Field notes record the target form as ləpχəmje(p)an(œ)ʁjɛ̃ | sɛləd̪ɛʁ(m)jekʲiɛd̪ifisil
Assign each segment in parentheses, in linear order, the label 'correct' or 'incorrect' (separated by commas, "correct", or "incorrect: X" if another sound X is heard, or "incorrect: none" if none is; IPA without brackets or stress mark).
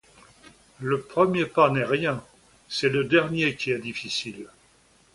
correct, incorrect: ɛ, incorrect: n